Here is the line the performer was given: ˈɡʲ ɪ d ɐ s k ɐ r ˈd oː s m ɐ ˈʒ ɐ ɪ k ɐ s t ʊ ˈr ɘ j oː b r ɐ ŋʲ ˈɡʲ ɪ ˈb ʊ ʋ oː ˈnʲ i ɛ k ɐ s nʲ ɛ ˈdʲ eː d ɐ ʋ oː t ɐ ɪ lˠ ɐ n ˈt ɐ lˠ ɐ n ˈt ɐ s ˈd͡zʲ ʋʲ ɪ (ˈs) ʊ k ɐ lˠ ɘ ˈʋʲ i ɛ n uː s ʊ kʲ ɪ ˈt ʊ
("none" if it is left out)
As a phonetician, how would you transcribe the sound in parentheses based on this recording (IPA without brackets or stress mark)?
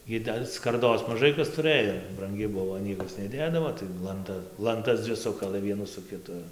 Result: s